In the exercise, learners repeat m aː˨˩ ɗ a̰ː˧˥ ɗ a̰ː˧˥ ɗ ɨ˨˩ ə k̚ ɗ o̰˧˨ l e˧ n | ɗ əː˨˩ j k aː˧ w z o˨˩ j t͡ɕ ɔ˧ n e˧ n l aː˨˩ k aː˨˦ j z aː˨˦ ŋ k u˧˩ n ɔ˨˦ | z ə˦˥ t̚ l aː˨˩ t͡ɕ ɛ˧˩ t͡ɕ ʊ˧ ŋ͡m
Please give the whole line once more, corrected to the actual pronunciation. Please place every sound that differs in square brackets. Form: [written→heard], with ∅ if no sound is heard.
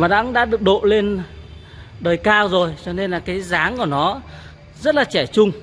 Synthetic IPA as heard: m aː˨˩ ɗ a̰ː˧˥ ɗ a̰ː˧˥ ɗ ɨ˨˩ ə k̚ ɗ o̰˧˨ l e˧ n | ɗ əː˨˩ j k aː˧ w z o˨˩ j t͡ɕ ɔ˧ n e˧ n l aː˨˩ k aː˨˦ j z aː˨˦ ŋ k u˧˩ n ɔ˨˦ | z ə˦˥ t̚ l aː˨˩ t͡ɕ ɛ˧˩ t͡ɕ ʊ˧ ŋ͡m